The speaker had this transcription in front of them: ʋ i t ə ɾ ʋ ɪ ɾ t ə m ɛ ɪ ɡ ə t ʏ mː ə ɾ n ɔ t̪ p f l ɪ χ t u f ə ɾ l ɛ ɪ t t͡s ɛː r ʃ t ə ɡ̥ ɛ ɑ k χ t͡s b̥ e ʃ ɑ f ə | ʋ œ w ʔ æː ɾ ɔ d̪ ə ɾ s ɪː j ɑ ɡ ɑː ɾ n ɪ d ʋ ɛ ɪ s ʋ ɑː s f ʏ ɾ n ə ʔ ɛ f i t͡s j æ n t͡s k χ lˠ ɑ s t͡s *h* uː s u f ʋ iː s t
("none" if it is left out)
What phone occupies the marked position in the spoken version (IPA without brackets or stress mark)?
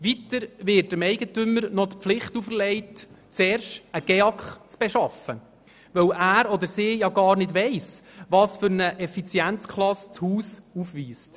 h